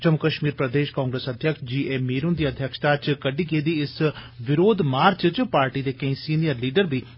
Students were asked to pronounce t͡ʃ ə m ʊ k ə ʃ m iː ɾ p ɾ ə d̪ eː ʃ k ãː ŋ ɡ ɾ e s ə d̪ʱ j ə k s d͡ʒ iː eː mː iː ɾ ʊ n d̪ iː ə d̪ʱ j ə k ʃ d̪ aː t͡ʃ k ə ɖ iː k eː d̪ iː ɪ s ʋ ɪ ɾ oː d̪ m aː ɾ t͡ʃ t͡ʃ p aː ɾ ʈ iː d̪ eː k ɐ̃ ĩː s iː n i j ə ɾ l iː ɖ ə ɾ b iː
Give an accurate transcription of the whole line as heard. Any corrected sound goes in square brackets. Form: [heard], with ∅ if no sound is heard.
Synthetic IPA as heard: t͡ʃ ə m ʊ k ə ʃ m iː ɾ p ɾ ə d̪ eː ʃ k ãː ŋ ɡ ɾ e s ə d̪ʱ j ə k [ʃ] d͡ʒ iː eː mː iː ɾ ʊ n d̪ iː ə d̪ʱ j ə k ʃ [t̪] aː t͡ʃ k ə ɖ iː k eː d̪ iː ɪ s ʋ ɪ ɾ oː d̪ m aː ɾ t͡ʃ t͡ʃ p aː ɾ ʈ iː d̪ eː k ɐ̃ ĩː s iː n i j ə ɾ l iː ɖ ə ɾ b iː